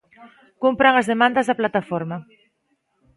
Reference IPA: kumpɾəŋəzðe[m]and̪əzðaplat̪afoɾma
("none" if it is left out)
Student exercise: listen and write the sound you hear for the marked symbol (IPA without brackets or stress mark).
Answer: m